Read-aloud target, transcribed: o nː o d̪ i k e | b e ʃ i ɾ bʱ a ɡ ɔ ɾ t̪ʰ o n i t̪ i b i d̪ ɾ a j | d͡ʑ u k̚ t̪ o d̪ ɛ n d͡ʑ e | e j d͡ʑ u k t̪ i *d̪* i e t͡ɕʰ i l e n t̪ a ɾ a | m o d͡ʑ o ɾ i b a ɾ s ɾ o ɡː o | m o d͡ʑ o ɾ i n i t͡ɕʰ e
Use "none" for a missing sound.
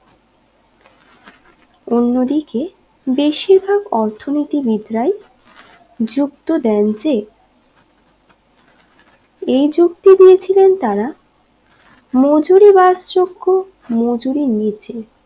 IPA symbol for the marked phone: d̪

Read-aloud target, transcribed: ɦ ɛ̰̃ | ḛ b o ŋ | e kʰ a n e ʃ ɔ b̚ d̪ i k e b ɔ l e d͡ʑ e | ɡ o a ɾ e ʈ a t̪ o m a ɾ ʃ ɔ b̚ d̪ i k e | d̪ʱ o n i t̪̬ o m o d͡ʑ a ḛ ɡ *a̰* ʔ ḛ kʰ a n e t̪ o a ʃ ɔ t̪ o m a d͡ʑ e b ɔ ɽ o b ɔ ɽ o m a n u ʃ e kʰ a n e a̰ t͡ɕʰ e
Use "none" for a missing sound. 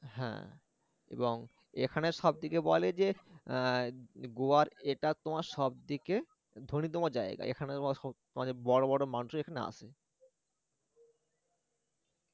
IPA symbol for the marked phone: a̰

